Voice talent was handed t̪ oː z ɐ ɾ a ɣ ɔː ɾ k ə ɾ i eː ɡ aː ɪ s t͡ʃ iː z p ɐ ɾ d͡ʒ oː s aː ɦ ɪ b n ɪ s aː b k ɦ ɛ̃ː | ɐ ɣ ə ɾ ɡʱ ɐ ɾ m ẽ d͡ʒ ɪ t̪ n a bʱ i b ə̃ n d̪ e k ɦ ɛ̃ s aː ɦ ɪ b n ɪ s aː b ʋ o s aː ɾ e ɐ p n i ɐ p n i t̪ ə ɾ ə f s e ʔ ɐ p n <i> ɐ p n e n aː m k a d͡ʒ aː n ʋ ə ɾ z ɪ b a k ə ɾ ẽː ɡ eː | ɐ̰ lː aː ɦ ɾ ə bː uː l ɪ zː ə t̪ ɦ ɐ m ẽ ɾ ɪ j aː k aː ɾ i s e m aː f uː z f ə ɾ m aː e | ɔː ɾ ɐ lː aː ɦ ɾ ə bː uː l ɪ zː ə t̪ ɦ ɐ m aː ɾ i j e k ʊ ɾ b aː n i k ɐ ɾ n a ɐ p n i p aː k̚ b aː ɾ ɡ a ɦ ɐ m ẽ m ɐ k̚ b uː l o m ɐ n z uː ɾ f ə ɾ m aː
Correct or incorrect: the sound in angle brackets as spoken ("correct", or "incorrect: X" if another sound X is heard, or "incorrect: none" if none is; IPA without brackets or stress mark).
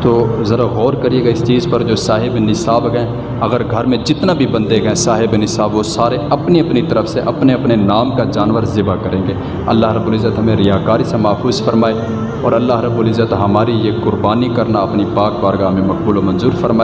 incorrect: e